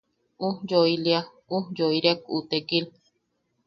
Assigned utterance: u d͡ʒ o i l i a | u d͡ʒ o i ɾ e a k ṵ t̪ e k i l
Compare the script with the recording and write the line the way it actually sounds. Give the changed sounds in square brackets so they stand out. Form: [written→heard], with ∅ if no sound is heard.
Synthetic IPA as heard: u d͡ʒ o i l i a | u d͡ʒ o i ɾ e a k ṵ t̪ e k i l